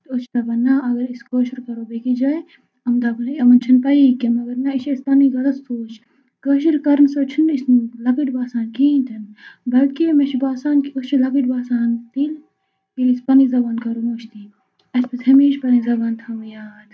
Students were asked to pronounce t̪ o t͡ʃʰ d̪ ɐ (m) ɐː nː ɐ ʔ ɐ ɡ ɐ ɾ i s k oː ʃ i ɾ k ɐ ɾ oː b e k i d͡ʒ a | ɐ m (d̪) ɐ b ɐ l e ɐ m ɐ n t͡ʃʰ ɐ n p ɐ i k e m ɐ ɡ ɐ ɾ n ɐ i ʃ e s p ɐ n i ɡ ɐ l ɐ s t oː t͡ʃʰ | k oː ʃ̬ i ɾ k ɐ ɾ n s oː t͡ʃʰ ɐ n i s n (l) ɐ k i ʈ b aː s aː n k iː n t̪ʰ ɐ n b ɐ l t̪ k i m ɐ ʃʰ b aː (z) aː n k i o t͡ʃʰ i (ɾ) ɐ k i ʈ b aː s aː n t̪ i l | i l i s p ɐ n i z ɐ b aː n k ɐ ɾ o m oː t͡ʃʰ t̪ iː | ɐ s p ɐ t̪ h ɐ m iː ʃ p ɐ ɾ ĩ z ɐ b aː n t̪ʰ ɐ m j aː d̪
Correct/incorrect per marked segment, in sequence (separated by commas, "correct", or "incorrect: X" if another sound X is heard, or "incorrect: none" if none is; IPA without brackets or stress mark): incorrect: b, correct, correct, incorrect: s, incorrect: l